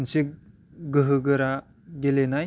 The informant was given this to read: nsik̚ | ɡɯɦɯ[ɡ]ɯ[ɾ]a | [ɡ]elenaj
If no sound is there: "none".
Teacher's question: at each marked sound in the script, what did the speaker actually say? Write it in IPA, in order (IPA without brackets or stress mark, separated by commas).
ɡ, ɾ, ɡ